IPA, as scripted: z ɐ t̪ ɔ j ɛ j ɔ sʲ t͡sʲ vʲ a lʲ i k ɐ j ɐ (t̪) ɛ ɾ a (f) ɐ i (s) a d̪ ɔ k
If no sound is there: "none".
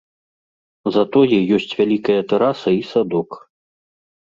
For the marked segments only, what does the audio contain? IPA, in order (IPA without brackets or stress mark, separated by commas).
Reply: t̪, s, s